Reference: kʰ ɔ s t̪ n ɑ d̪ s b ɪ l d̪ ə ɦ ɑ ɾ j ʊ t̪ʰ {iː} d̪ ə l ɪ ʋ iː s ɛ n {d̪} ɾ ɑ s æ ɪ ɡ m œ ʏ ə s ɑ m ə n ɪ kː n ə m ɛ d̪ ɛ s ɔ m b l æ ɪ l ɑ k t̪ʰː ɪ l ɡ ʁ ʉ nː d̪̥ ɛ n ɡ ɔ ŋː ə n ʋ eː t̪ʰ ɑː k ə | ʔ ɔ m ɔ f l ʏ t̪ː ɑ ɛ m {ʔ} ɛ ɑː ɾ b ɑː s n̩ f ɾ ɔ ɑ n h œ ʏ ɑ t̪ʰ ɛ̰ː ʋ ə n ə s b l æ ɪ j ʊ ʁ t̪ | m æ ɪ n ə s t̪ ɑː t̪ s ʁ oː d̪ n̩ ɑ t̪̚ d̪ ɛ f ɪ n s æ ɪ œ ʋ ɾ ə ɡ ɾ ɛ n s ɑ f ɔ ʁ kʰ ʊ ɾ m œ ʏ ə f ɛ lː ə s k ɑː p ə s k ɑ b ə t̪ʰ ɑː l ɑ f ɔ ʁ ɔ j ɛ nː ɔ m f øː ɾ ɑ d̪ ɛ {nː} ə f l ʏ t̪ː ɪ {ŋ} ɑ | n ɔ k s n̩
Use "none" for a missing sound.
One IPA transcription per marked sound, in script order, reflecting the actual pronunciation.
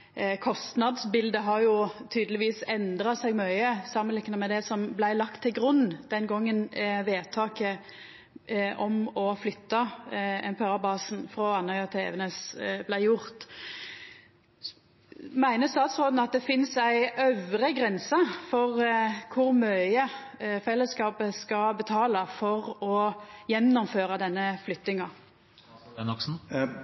yː, d̪, p, nː, ŋ

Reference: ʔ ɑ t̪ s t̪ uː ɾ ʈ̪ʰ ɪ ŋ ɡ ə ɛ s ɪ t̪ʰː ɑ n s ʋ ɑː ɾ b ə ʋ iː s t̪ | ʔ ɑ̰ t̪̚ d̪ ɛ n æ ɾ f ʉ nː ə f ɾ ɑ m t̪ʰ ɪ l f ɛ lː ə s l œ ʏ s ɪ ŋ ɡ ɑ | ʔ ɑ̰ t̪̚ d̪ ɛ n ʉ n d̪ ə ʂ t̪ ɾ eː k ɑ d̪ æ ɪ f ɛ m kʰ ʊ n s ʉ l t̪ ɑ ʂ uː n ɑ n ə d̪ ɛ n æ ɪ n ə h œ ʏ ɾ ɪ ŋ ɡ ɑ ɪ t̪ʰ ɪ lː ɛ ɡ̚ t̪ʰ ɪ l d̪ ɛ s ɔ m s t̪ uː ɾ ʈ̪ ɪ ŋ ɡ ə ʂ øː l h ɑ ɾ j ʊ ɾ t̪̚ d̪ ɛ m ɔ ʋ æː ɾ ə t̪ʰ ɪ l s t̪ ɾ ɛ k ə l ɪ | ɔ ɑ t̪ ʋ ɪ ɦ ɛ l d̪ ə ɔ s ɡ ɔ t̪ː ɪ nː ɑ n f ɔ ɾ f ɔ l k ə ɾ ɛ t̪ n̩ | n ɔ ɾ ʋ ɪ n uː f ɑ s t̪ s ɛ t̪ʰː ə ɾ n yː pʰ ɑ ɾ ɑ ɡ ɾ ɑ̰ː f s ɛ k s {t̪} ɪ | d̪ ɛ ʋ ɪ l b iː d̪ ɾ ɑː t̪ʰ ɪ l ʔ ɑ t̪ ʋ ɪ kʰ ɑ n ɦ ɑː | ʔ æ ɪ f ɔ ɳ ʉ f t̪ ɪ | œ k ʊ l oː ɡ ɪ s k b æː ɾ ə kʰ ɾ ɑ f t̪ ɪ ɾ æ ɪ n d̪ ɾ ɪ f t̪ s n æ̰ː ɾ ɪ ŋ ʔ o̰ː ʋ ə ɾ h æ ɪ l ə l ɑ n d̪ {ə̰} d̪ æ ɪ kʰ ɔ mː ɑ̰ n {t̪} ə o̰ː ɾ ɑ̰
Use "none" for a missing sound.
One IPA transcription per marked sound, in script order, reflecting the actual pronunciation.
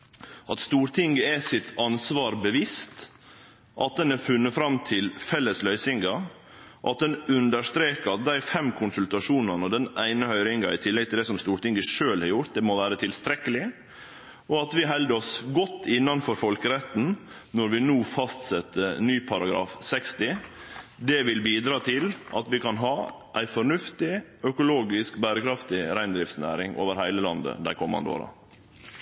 t̪, ə̰, d̪

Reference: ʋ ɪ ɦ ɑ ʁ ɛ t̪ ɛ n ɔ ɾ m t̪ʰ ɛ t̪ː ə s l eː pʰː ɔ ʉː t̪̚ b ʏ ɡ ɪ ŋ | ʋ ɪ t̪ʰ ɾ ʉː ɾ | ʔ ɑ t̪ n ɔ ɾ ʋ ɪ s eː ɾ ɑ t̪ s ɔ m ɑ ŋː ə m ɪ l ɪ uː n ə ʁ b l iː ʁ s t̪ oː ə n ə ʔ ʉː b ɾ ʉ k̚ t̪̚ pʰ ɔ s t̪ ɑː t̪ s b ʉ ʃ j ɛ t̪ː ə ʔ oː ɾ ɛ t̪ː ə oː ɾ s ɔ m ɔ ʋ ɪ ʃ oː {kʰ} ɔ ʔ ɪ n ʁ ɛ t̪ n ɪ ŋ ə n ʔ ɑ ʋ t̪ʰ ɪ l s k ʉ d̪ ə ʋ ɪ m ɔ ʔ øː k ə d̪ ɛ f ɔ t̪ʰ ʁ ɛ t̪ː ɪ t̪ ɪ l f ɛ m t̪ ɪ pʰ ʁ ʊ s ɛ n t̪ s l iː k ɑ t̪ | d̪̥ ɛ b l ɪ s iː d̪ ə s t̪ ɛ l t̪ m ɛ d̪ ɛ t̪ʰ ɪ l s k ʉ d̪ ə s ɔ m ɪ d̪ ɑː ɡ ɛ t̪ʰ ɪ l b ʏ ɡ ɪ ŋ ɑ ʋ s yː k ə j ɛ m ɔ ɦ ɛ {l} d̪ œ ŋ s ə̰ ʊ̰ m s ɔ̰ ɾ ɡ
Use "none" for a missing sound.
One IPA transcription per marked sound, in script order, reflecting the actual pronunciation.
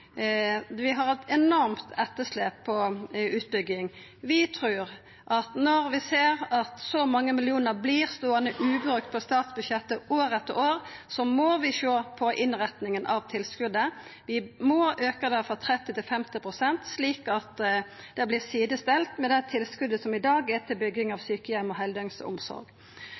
pʰ, l

